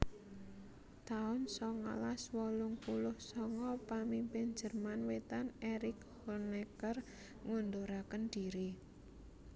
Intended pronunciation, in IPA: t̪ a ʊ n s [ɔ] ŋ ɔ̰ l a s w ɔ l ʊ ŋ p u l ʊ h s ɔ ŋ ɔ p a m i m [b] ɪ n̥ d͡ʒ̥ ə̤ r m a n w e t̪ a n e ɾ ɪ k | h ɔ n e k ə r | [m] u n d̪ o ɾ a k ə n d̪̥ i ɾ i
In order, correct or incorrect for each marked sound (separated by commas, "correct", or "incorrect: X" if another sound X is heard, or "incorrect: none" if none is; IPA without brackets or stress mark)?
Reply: correct, incorrect: p, incorrect: ŋ